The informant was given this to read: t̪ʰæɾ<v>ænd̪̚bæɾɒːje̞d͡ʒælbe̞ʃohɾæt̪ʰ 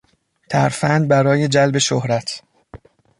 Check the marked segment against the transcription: incorrect: f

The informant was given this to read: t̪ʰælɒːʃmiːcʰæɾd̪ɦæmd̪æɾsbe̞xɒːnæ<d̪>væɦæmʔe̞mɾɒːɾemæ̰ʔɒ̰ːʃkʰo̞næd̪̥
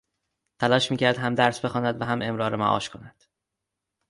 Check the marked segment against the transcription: correct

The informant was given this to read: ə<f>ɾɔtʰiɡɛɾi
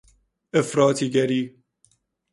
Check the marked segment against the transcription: correct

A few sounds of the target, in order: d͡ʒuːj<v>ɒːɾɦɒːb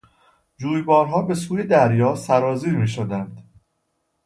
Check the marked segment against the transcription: incorrect: b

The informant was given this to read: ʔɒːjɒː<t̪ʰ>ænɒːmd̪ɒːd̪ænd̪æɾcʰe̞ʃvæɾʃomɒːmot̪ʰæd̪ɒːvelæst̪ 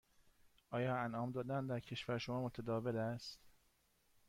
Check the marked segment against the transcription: incorrect: none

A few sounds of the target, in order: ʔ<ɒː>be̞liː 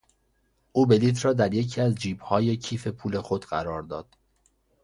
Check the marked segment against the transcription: incorrect: uː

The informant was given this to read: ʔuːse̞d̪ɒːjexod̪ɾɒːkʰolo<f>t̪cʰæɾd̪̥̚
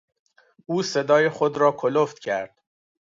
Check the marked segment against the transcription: correct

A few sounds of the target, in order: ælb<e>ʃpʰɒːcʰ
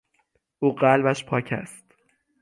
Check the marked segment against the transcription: incorrect: æ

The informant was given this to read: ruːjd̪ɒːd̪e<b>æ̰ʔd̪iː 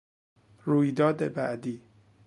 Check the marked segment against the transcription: correct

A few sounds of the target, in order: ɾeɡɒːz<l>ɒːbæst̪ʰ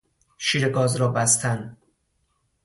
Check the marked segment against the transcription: incorrect: ɾ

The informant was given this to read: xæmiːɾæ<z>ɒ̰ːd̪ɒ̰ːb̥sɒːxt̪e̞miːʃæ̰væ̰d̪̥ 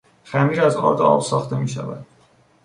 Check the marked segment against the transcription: correct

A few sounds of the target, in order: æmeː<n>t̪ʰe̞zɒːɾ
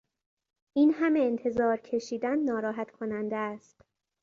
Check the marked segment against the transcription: correct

